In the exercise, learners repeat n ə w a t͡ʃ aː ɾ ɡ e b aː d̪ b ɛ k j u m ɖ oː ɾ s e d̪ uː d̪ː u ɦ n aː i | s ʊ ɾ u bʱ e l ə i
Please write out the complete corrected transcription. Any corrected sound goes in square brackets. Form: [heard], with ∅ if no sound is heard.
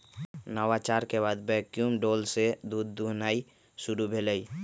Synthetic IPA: n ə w a t͡ʃ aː ɾ [k] e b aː d̪ b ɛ k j u m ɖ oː [l] s e d̪ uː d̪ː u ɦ n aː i | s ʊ ɾ u bʱ e l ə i